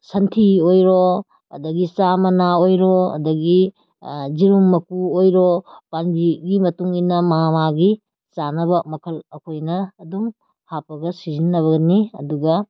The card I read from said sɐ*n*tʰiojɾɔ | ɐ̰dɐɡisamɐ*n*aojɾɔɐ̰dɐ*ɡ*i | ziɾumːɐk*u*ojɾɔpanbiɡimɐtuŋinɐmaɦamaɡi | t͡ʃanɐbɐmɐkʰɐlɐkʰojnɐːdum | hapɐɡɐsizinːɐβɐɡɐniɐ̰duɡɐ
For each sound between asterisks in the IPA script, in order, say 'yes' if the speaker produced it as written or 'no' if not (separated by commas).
yes, yes, yes, yes